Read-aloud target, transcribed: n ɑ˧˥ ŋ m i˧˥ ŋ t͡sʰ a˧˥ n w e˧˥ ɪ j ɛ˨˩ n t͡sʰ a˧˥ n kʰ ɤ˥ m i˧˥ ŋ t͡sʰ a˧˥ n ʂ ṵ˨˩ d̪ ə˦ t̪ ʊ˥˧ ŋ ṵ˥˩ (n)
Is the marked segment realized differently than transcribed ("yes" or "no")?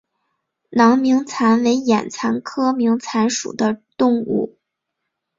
yes